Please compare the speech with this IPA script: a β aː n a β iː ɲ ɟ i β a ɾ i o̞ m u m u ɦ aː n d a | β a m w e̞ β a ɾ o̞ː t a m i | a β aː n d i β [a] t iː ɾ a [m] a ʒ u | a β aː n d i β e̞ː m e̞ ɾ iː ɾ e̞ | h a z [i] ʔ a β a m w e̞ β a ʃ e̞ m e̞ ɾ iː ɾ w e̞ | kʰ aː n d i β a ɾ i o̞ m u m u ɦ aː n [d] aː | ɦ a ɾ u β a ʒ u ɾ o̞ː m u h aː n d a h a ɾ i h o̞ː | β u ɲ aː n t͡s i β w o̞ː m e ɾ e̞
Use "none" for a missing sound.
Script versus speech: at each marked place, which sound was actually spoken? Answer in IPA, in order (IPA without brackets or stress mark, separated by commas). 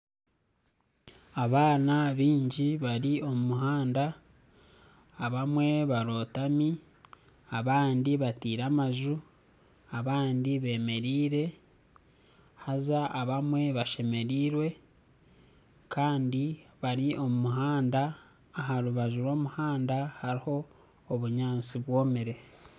a, m, a, d